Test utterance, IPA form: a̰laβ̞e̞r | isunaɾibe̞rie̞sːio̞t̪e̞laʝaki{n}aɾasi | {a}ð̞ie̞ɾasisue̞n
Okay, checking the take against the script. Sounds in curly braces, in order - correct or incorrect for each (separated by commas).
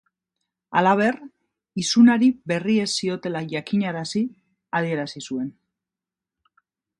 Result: incorrect, correct